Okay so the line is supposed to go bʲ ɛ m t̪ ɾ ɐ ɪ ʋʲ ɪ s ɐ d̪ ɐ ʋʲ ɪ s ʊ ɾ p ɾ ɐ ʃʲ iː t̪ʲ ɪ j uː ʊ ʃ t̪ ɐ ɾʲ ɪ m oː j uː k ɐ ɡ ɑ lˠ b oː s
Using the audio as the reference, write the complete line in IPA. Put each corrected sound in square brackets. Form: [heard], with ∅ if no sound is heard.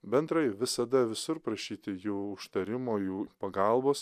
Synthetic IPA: bʲ ɛ [n] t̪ ɾ ɐ ɪ ʋʲ ɪ s ɐ d̪ ɐ ʋʲ ɪ s ʊ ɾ p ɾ ɐ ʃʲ iː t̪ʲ ɪ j uː ʊ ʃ t̪ ɐ ɾʲ ɪ m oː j uː [p] ɐ ɡ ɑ lˠ b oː s